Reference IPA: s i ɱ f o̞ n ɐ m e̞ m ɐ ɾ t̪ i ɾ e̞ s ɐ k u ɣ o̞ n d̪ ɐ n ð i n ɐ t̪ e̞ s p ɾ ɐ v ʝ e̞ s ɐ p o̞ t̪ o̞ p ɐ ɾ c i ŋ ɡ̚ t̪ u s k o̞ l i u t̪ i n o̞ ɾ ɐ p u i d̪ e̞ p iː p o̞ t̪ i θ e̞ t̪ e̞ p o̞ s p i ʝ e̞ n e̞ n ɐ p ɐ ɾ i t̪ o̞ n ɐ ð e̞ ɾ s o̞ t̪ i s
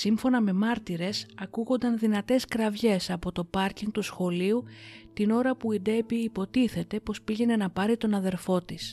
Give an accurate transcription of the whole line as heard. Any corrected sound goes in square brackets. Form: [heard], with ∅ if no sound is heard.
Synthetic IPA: s i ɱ f o̞ n ɐ m e̞ m ɐ ɾ t̪ i ɾ e̞ s ɐ k u ɣ o̞ n d̪ ɐ n ð i n ɐ t̪ e̞ s [k] ɾ ɐ v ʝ e̞ s ɐ p o̞ t̪ o̞ p ɐ ɾ c i ŋ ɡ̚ t̪ u s [x] o̞ l i u t̪ i n o̞ ɾ ɐ p u i d̪ e̞ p iː p o̞ t̪ i θ e̞ t̪ e̞ p o̞ s p i ʝ e̞ n e̞ n ɐ p ɐ ɾ i t̪ o̞ n ɐ ð e̞ ɾ [f] o̞ t̪ i s